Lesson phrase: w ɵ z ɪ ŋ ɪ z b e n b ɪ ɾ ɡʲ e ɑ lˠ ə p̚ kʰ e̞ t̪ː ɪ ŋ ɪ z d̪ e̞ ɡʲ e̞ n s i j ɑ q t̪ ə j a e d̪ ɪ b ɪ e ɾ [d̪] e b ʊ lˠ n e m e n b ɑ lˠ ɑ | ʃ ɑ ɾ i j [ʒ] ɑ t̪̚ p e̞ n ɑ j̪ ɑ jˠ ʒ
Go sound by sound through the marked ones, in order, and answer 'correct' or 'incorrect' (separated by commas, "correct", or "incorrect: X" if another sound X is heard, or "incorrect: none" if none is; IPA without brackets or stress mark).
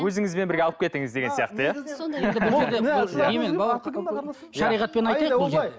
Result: correct, incorrect: ʁ